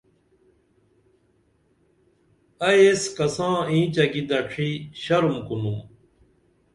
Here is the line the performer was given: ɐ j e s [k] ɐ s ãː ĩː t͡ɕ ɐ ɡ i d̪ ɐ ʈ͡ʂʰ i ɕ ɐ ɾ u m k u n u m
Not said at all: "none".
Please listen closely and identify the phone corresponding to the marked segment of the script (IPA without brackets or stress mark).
k